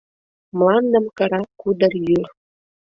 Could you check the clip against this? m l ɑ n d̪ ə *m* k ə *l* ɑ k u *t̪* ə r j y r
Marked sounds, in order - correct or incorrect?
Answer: correct, incorrect: ɾ, incorrect: d̪

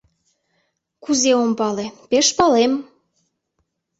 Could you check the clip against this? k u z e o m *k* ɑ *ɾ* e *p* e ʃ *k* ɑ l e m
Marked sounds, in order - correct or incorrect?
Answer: incorrect: p, incorrect: l, correct, incorrect: p

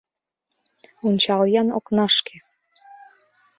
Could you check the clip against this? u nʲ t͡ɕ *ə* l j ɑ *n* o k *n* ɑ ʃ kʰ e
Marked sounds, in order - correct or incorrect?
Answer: incorrect: ɑ, correct, correct

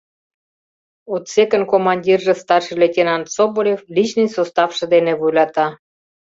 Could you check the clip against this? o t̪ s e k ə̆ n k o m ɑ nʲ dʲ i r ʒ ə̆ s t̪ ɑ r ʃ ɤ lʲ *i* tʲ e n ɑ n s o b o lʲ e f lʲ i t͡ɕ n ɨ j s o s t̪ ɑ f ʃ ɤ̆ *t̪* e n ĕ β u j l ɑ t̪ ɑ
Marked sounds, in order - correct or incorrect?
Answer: incorrect: e, incorrect: d̪

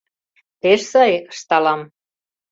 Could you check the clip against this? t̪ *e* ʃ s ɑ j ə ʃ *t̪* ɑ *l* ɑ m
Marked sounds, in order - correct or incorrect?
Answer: correct, correct, correct

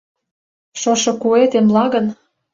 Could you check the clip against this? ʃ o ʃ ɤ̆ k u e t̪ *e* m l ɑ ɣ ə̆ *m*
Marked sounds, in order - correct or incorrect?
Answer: correct, incorrect: n

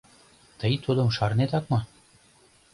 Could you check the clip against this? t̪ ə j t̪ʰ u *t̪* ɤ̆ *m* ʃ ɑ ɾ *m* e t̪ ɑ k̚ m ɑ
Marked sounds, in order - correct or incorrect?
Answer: incorrect: d̪, correct, incorrect: n

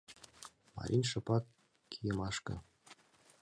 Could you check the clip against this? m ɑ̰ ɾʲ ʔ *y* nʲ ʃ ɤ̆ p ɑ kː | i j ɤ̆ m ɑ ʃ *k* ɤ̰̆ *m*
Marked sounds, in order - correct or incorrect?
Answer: incorrect: i, correct, incorrect: none

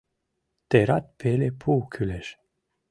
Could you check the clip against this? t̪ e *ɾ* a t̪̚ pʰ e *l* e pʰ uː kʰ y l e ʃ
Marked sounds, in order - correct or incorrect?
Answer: correct, correct

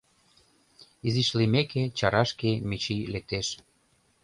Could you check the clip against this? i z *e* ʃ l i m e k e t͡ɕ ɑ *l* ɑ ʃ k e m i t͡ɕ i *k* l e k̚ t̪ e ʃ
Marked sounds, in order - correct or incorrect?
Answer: incorrect: i, incorrect: ɾ, incorrect: none

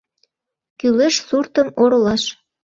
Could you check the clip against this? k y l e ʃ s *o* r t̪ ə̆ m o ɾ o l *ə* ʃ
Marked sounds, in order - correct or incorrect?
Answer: incorrect: u, incorrect: ɑ

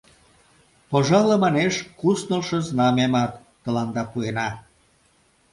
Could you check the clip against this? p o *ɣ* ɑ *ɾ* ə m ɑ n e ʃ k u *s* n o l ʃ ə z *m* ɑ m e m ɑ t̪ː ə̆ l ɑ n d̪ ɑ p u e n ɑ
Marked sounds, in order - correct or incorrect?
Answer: incorrect: ʒ, incorrect: l, correct, incorrect: n

